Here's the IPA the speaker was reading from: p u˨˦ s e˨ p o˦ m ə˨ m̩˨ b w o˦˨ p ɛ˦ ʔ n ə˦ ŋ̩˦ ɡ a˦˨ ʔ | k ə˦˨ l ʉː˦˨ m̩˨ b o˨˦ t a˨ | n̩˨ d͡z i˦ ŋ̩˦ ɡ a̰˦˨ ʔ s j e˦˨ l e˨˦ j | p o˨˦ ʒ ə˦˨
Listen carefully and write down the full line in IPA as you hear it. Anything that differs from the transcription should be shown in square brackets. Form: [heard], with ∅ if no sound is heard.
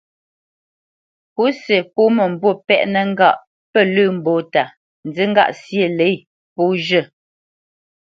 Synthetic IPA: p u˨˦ s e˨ p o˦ m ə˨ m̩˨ b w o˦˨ p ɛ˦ ʔ n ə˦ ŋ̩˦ ɡ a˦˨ ʔ | [p] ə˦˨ l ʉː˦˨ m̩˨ b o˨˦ t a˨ | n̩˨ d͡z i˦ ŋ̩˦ ɡ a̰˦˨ ʔ s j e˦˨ l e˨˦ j | p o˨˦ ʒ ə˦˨